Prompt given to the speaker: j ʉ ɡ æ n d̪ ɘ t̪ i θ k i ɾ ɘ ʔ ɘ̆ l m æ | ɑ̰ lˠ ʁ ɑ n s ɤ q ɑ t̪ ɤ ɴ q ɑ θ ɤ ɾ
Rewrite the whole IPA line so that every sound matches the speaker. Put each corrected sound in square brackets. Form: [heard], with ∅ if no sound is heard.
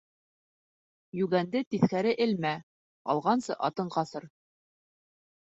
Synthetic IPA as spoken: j ʉ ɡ æ n d̪ ɘ t̪ i θ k [æ] ɾ ɘ ʔ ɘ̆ l m æ | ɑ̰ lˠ ʁ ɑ n s ɤ [ʔ] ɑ t̪ ɤ ɴ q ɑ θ ɤ ɾ

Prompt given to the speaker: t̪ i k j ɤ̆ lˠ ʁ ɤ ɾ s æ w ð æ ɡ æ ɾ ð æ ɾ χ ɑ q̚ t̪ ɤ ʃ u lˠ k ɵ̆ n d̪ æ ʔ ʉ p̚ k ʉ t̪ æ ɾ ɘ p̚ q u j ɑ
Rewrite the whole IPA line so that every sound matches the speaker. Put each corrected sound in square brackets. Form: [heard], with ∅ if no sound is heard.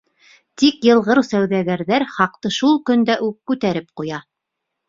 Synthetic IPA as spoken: t̪ i k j ɤ̆ lˠ ʁ ɤ ɾ s æ w ð æ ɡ æ ɾ ð æ ɾ χ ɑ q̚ t̪ ɤ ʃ u lˠ k ɵ̆ n d̪ æ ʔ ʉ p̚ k ʉ t̪ æ ɾ ɘ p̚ q u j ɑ

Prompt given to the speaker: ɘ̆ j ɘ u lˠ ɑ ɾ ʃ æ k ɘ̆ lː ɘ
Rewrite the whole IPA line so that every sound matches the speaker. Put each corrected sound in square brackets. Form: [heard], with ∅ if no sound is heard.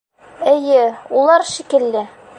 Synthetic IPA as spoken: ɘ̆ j ɘ u lˠ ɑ ɾ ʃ [i] k ɘ̆ lː ɘ

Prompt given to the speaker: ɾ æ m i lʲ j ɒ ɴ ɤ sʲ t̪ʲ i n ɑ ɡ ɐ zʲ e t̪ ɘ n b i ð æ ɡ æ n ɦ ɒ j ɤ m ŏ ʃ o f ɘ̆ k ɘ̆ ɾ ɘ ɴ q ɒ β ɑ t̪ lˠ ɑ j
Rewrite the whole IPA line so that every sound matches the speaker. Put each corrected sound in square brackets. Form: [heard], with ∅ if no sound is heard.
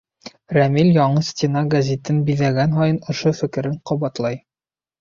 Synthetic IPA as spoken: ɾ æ m i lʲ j ɒ ɴ ɤ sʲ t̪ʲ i n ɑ ɡ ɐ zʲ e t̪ ɘ n b i ð æ ɡ æ n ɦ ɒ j ɤ [n] ŏ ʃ o f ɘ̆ k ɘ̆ ɾ ɘ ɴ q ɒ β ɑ t̪ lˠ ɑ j

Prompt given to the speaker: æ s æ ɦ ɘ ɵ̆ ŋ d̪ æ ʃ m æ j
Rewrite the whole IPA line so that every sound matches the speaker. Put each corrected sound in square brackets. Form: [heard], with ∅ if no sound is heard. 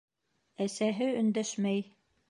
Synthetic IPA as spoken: æ s æ ɦ ɘ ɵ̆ [n] d̪ æ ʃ m æ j

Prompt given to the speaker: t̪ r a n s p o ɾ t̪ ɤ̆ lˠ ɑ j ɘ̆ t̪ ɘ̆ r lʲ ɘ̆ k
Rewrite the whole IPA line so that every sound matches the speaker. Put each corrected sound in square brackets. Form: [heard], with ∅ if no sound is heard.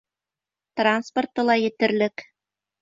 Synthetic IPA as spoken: t̪ r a n s p o [r] t̪ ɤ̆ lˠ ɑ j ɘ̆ t̪ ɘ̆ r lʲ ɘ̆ k

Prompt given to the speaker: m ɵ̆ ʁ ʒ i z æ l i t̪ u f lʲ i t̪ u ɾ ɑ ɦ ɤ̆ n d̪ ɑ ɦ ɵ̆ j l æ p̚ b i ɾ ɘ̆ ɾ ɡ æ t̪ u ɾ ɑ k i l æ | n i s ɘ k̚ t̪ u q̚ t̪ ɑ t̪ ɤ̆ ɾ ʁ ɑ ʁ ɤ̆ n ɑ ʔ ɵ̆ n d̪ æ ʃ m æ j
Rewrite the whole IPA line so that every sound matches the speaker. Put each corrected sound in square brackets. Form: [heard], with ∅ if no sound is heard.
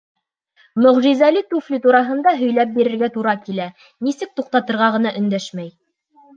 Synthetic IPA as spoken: m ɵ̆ ʁ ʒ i z æ l i t̪ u f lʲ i t̪ u ɾ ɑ ɦ ɤ̆ n d̪ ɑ ɦ ɵ̆ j l æ p̚ b i ɾ ɘ̆ ɾ ɡ æ t̪ u ɾ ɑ k i l æ | n i s ɘ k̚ t̪ u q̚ t̪ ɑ t̪ ɤ̆ ɾ ʁ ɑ ʁ ɤ̆ n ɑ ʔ ɵ̆ n d̪ æ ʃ m æ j

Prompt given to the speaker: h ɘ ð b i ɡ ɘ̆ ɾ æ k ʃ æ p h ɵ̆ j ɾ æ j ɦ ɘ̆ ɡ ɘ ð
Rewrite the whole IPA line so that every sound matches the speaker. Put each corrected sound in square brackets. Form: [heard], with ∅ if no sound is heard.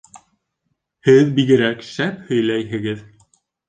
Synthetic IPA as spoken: h ɘ ð b i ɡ ɘ̆ ɾ æ k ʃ æ p h ɵ̆ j [l] æ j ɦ ɘ̆ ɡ ɘ ð

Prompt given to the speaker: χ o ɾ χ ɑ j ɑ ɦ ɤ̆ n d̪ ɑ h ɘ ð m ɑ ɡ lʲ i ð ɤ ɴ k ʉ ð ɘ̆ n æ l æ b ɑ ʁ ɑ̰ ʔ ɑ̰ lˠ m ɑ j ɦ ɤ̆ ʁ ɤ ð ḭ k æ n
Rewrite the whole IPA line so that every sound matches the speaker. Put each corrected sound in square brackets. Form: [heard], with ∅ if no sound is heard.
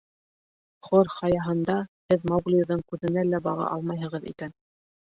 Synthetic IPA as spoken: χ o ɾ χ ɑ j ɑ ɦ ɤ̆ n d̪ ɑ h ɘ ð m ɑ ɡ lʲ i ð ɤ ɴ k ʉ ð ɘ̆ n æ l æ b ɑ ʁ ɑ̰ ʔ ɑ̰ lˠ m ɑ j ɦ ɤ̆ ʁ ɤ ð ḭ k æ n

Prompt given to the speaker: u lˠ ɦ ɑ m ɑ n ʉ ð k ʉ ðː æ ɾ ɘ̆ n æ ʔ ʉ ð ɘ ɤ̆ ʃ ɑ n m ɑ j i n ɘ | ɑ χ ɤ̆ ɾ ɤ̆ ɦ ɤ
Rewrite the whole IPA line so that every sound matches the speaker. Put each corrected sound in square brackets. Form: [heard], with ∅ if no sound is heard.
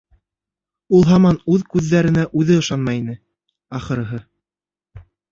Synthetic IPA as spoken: u lˠ ɦ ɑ m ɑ n ʉ ð k ʉ ðː æ ɾ ɘ̆ n æ ʔ ʉ ð ɘ ɤ̆ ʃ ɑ n m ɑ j i n ɘ | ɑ χ ɤ̆ ɾ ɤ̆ ɦ ɤ

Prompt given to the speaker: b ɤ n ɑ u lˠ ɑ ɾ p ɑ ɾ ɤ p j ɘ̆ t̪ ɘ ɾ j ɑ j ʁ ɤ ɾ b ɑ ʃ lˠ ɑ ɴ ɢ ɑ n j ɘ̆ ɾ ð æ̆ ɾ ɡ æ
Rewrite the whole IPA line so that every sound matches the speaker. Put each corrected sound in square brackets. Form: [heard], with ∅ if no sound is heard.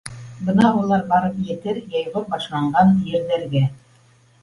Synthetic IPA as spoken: b ɤ n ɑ u lˠ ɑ ɾ [b] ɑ ɾ ɤ p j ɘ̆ t̪ ɘ ɾ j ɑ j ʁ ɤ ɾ b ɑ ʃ lˠ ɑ ɴ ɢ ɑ n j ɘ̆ ɾ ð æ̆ ɾ ɡ æ

